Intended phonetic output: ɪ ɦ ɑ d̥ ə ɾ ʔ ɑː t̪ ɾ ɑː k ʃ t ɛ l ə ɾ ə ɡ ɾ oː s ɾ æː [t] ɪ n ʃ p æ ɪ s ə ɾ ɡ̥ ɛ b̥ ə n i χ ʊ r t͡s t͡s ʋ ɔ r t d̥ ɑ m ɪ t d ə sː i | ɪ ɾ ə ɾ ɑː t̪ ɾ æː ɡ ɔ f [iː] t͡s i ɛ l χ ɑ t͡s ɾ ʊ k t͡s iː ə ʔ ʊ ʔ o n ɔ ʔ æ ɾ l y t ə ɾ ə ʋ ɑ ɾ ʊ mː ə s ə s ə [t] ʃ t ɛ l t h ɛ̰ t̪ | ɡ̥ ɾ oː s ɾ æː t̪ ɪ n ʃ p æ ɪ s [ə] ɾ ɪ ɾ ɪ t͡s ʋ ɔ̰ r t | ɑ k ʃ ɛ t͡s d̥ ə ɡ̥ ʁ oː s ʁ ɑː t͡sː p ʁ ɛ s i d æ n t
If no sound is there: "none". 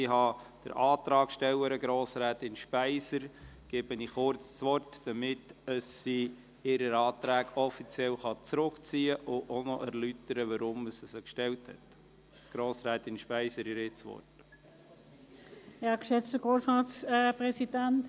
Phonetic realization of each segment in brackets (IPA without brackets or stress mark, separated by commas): t, i, k, ə